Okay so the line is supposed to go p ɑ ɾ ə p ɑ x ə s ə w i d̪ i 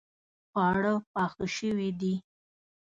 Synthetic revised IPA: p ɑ ɽ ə p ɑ x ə ʃ ə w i d̪ i